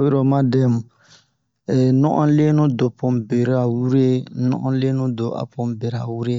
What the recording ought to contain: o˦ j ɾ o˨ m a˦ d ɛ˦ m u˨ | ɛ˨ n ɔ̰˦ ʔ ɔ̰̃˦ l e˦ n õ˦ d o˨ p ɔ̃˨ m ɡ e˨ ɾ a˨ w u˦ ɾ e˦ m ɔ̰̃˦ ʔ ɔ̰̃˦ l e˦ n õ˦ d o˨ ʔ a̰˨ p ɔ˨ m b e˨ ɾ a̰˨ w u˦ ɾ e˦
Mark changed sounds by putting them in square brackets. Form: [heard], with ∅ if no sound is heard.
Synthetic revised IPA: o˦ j ɾ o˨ m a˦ d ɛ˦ m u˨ | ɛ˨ n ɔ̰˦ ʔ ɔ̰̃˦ l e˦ n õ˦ d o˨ p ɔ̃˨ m [b] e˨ ɾ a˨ w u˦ ɾ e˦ [n] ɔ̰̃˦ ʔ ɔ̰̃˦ l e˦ n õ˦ d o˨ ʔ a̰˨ p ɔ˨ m b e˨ ɾ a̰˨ w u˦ ɾ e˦